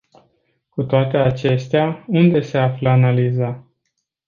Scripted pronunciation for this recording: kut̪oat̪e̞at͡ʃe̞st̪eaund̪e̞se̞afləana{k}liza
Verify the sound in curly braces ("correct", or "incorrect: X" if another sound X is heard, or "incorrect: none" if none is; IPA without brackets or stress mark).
incorrect: none